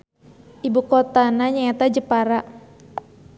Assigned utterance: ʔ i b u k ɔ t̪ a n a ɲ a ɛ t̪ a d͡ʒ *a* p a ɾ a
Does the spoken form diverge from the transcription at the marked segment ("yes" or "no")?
yes